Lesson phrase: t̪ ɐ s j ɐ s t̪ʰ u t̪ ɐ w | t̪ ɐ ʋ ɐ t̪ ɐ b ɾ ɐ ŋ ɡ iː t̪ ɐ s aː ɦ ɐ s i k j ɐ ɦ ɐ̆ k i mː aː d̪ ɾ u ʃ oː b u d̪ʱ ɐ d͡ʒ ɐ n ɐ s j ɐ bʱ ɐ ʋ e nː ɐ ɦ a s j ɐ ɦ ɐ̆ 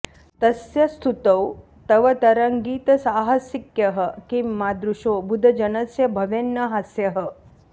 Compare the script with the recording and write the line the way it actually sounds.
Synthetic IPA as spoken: t̪ ɐ s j ɐ s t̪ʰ u t̪ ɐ w | t̪ ɐ ʋ ɐ t̪ ɐ ɾ ɐ ŋ ɡ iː t̪ ɐ s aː ɦ ɐ s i k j ɐ ɦ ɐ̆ k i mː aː d̪ ɾ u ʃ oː b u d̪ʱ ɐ d͡ʒ ɐ n ɐ s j ɐ bʱ ɐ ʋ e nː ɐ ɦ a s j ɐ ɦ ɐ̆